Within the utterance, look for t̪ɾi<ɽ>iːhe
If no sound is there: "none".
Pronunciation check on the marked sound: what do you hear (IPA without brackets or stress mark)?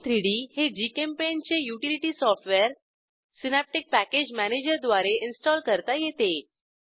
ɽ